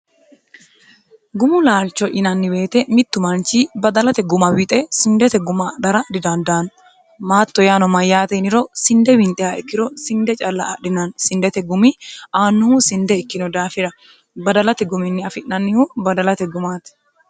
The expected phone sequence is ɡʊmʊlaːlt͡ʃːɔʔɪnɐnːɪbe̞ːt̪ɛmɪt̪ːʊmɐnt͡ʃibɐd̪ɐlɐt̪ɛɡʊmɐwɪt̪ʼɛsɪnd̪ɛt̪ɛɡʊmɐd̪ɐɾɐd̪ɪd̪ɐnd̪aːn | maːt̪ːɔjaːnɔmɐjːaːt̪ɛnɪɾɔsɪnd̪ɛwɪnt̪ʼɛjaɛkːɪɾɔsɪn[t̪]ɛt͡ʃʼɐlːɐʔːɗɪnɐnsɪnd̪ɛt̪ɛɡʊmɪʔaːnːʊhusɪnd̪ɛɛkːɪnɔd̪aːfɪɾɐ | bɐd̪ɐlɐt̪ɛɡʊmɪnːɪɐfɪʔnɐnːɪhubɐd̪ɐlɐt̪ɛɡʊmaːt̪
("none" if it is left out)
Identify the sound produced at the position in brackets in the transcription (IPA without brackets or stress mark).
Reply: d̪